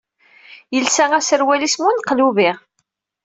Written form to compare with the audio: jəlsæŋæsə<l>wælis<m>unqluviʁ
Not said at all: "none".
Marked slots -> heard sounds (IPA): ɾ, m

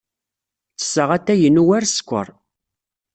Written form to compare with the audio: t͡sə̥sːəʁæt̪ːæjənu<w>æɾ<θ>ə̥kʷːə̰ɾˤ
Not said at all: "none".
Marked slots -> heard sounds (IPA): w, s

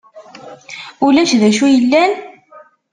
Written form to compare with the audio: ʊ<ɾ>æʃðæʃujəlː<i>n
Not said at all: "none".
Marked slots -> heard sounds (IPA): l, æ

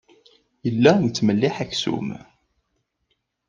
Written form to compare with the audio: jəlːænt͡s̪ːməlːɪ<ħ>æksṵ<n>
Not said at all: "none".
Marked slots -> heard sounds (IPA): ħ, m

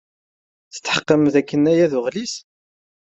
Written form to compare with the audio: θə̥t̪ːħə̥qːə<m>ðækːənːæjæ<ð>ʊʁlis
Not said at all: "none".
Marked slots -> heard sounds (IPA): m, ð

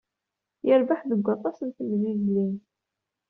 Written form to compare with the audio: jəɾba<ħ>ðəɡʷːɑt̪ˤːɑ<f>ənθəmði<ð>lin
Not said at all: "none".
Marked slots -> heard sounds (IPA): ħ, s, z

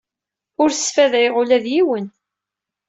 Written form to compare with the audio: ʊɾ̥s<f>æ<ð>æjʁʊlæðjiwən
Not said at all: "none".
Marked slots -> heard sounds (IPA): f, ð

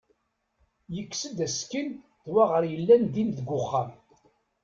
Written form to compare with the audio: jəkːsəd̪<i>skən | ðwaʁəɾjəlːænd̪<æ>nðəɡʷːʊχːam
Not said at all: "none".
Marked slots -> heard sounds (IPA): æ, i

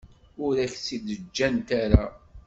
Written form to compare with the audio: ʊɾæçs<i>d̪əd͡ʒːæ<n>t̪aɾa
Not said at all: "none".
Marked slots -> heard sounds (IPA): i, n

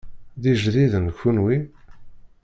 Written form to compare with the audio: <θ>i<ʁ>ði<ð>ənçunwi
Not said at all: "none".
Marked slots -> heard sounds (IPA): ð, ʒ, ð

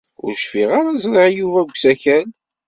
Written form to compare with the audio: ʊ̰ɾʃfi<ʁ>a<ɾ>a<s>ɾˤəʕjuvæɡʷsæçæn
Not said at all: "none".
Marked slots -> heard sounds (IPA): ʁ, ɾ, z

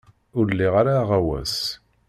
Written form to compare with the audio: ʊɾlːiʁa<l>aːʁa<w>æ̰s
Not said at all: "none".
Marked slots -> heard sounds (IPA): ɾ, w

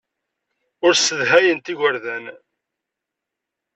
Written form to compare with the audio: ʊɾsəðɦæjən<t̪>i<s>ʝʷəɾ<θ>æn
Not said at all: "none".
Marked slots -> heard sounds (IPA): t̪, none, ð

